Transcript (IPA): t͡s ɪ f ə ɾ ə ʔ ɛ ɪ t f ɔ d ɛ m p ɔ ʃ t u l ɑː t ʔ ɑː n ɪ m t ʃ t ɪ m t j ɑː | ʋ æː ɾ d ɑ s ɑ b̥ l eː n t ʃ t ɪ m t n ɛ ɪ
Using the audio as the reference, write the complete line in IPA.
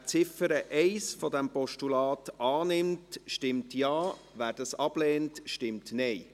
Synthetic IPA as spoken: t͡s ɪ f ə ɾ ə ʔ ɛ ɪ s f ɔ d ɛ m p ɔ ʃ t u l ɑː t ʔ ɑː n ɪ m t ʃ t ɪ m t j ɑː | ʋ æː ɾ d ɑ s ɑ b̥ l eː n t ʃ t ɪ m t n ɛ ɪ